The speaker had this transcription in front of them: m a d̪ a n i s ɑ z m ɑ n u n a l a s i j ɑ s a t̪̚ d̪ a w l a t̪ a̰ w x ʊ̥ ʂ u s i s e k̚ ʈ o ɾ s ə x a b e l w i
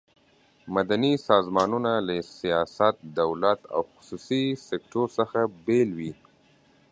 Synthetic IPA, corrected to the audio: m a d̪ a n i s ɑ z m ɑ n u n a l a s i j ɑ s a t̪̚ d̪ a w l a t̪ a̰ w x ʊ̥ s u s i s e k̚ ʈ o ɾ s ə x a b e l w i